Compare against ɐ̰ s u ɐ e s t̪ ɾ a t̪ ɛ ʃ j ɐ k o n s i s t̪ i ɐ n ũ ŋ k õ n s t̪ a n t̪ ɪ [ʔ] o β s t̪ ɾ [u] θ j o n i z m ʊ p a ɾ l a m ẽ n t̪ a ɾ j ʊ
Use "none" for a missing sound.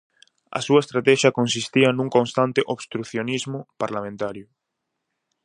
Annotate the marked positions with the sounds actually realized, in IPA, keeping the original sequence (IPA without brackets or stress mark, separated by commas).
ʔ, u